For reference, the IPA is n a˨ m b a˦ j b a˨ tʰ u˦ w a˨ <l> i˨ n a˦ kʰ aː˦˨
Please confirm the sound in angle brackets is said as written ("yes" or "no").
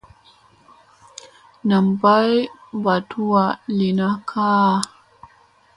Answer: yes